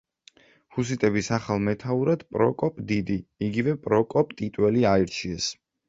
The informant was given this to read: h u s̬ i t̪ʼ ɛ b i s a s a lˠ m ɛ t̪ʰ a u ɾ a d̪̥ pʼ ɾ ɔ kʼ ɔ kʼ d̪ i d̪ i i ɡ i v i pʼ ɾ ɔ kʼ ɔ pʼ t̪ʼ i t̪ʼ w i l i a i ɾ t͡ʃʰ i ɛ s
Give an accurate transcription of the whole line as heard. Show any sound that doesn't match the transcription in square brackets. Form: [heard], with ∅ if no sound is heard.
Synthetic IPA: h u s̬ i t̪ʼ ɛ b i s a [χ] a lˠ m ɛ t̪ʰ a u ɾ a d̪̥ pʼ ɾ ɔ kʼ ɔ [pʼ] d̪ i d̪ i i ɡ i v [ɛ] pʼ ɾ ɔ kʼ ɔ pʼ t̪ʼ i t̪ʼ w [ɛ] l i a i ɾ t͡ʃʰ i ɛ s